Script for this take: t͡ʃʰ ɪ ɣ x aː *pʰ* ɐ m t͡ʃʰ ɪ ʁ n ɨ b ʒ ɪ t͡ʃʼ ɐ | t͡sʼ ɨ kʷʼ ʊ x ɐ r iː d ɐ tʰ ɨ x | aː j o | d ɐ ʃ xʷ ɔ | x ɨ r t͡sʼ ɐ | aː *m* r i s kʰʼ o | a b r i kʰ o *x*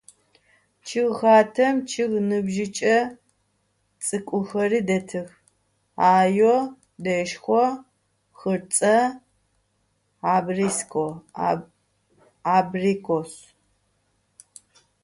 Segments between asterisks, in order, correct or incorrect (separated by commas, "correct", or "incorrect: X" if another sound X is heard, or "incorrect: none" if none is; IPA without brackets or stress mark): incorrect: tʰ, incorrect: b, incorrect: s